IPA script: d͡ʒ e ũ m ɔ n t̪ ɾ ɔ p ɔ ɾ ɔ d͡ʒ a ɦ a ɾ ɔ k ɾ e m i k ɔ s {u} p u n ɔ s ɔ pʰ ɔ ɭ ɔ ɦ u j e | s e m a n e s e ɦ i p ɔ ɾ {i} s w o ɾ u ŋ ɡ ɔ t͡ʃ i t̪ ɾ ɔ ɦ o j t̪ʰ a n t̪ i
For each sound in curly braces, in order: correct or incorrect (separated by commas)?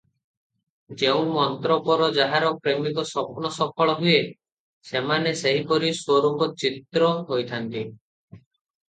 incorrect, correct